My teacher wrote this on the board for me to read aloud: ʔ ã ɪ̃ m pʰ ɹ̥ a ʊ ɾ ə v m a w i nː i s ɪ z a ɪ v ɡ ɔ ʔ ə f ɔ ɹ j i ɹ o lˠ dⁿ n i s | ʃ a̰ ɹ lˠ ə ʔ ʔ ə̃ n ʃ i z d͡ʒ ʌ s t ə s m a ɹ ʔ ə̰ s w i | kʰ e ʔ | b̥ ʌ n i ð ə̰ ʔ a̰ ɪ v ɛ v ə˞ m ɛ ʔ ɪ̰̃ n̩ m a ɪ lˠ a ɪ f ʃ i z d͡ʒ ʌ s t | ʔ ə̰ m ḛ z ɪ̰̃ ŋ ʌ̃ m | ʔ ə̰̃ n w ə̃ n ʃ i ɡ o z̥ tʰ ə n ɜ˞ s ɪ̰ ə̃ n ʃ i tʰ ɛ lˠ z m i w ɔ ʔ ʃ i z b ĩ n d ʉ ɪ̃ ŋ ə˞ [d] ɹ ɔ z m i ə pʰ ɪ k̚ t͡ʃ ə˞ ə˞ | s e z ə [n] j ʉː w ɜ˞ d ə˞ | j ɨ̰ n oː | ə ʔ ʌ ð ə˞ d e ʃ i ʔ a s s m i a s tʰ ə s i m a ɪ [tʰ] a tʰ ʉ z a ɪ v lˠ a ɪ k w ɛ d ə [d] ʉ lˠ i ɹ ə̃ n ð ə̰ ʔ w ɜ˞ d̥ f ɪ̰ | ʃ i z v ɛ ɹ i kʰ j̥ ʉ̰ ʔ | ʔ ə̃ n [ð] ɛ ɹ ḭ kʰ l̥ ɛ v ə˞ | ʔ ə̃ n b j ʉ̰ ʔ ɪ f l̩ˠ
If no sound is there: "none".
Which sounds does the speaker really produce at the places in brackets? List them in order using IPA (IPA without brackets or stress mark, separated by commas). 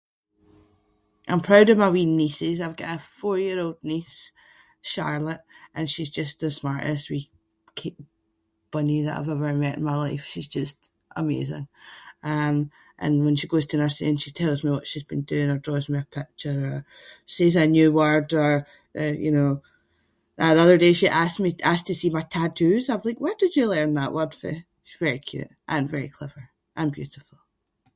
d, n, tʰ, d͡ʒ, v